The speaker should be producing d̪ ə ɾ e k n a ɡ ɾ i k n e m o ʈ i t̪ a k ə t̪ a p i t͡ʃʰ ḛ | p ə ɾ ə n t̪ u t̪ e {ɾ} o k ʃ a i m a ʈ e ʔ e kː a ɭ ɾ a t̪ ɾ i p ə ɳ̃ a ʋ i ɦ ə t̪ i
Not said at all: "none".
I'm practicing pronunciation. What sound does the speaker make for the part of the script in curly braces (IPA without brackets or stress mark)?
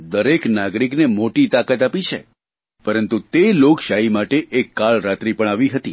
l